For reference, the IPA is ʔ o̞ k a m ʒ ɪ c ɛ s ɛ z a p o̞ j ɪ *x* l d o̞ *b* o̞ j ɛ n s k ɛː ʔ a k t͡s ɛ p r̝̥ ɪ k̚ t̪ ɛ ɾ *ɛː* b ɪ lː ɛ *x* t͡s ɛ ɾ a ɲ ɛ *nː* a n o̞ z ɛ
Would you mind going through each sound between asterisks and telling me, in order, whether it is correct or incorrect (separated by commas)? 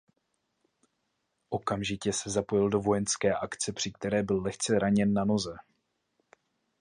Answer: incorrect, incorrect, correct, correct, correct